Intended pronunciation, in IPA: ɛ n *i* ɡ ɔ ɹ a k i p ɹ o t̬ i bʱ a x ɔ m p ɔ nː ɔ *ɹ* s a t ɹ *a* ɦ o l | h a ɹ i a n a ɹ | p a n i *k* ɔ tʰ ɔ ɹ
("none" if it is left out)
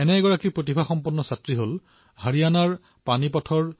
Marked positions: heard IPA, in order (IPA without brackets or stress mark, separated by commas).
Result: ɛ, none, i, p